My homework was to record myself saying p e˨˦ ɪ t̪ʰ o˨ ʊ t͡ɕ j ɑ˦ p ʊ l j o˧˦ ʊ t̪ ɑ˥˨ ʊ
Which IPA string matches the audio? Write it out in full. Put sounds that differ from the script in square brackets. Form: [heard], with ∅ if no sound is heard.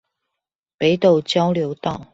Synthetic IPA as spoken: p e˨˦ ɪ [t̪] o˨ ʊ t͡ɕ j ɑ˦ [∅] ʊ l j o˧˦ ʊ t̪ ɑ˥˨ ʊ